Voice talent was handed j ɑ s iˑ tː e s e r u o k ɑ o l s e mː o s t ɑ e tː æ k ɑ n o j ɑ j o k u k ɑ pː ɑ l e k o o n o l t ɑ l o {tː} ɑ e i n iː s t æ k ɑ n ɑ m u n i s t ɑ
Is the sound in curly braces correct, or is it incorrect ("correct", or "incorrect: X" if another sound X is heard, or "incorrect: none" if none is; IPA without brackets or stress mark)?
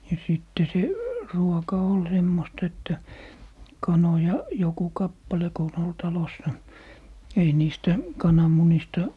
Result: incorrect: sː